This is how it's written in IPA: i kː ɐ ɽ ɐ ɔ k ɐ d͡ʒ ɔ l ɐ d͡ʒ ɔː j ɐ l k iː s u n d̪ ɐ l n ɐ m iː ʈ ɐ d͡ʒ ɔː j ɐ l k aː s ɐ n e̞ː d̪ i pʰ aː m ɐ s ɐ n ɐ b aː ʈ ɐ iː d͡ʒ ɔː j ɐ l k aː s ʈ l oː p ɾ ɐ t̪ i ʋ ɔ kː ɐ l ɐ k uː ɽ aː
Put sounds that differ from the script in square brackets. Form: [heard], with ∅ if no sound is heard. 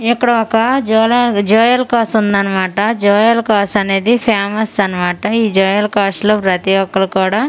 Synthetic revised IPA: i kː ɐ ɽ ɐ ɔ k ɐ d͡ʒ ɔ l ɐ d͡ʒ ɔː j ɐ l k [aː] s u n d̪ ɐ [∅] n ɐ m [aː] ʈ ɐ d͡ʒ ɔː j ɐ l k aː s ɐ n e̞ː d̪ i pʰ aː m ɐ s ɐ n ɐ [m] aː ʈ ɐ iː d͡ʒ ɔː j ɐ l k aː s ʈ l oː p ɾ ɐ t̪ i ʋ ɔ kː ɐ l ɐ k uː ɽ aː